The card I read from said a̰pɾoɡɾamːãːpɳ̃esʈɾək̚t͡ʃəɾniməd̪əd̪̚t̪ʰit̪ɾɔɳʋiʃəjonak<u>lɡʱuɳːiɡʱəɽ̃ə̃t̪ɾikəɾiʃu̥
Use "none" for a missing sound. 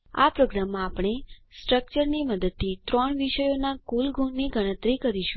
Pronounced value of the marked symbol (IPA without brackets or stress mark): u